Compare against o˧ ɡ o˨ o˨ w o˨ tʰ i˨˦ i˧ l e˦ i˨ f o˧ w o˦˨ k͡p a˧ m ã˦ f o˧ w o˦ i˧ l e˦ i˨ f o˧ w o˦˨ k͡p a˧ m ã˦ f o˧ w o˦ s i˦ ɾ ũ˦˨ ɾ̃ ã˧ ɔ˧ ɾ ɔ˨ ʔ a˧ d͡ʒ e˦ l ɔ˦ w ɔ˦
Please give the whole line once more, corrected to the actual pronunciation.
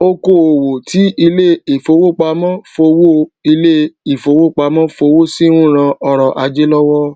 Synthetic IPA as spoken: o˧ k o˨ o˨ w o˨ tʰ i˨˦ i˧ l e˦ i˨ f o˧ w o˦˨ k͡p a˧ m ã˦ f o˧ w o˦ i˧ l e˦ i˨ f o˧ w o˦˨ k͡p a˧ m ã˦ f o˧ w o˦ s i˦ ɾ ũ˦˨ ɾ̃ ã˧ ɔ˧ ɾ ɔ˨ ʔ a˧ d͡ʒ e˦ l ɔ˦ w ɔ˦

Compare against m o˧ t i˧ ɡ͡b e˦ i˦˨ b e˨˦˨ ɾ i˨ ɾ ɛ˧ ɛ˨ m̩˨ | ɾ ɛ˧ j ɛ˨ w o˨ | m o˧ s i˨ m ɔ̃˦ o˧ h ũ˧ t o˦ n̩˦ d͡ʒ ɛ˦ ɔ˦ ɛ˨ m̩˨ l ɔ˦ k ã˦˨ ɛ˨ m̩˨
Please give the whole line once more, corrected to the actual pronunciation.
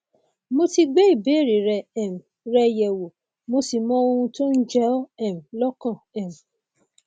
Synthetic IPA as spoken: m o˧ t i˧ ɡ͡b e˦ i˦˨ b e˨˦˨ ɾ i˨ ɾ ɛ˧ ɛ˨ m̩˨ | ɾ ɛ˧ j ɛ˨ w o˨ | m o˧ s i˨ m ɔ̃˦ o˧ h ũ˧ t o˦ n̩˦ d͡ʒ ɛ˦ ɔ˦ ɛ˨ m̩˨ l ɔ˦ k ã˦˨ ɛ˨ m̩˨

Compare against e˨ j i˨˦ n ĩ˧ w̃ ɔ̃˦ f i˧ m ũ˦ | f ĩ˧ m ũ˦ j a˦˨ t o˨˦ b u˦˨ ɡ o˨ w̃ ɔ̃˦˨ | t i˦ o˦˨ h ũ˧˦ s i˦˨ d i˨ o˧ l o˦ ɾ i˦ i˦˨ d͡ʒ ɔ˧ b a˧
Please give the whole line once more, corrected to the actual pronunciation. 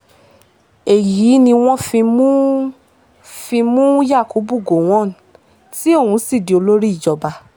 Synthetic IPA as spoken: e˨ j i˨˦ n ĩ˧ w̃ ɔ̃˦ f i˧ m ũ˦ | f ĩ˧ m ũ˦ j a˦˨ k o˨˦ b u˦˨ ɡ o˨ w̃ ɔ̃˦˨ | t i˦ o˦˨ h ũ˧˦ s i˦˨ d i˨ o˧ l o˦ ɾ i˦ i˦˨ d͡ʒ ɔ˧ b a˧

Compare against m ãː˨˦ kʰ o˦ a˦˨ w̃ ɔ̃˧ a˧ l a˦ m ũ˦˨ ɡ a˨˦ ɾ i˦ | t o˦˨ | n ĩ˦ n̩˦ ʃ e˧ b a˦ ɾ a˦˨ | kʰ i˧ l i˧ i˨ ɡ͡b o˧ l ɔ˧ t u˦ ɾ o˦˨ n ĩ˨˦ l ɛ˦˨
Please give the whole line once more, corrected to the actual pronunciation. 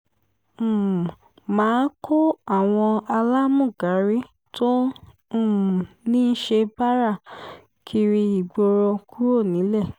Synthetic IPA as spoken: m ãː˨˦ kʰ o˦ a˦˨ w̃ ɔ̃˧ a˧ l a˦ m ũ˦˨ ɡ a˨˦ ɾ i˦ | t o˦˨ | n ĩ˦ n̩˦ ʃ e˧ b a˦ ɾ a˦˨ | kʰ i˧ ɾ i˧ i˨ ɡ͡b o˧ ɾ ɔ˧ k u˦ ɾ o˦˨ n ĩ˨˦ l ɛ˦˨

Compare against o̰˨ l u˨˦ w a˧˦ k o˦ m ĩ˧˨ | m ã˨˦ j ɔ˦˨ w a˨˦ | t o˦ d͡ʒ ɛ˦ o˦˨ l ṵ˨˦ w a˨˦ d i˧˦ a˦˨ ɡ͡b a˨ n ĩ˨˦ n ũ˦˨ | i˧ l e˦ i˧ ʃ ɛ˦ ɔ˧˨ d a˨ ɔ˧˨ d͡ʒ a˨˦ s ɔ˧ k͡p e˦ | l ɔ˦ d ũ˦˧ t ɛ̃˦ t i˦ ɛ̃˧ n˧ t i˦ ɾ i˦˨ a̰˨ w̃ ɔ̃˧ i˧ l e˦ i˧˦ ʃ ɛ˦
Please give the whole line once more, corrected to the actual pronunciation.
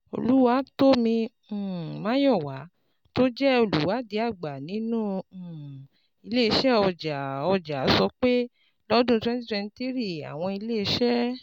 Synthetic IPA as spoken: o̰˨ l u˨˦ w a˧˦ t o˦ m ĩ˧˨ | m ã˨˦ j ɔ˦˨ w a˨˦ | t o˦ d͡ʒ ɛ˦ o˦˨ l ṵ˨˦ w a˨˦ d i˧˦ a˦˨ ɡ͡b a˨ n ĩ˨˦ n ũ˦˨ | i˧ l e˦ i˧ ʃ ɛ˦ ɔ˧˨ d͡ʒ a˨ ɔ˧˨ d͡ʒ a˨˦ s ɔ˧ k͡p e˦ | l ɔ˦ d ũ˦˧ t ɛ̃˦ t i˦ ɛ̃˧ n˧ t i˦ ɾ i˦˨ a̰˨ w̃ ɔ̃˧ i˧ l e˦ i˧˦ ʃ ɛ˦

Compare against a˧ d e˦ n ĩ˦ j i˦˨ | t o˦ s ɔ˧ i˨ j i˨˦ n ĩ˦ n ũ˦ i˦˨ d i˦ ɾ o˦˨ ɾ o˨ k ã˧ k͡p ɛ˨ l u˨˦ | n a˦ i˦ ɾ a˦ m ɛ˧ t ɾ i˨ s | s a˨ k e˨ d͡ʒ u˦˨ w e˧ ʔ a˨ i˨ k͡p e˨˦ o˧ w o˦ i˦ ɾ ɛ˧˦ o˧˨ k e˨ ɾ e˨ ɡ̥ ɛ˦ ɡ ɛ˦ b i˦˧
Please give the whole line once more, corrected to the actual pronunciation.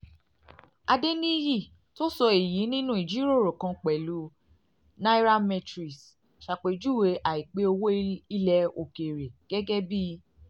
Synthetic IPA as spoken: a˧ d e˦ n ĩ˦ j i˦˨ | t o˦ s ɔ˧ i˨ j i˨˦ n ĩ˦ n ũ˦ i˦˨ d͡ʒ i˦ ɾ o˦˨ ɾ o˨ k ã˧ k͡p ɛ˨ l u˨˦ | n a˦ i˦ ɾ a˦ m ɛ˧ t ɾ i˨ s | ʃ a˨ k͡p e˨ d͡ʒ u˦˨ w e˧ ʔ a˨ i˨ k͡p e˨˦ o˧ w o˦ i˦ l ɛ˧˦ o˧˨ k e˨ ɾ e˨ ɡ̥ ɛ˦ ɡ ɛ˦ b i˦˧

